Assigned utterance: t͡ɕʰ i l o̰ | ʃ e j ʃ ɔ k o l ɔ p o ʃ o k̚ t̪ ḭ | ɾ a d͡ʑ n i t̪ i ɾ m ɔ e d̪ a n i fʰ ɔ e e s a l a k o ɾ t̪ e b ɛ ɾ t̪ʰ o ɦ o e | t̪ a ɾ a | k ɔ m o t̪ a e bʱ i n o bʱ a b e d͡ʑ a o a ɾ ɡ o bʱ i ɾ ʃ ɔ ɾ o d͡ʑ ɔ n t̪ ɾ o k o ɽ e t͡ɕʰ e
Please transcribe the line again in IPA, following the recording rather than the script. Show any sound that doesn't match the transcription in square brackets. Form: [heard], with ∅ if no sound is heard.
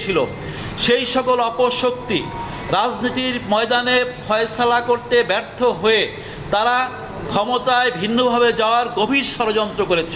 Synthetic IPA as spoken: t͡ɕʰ i l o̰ | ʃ e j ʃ ɔ k o l ɔ p o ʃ o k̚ t̪ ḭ | ɾ a d͡ʑ n i t̪ i ɾ m ɔ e d̪ a n [e] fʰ ɔ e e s a l a k o ɾ t̪ e b ɛ ɾ t̪ʰ o ɦ o e | t̪ a ɾ a | [kʰ] ɔ m o t̪ a e bʱ i [nː] o bʱ a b e d͡ʑ a o a ɾ ɡ o bʱ i ɾ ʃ ɔ ɾ o d͡ʑ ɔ n t̪ ɾ o k o [ɾ] e t͡ɕʰ e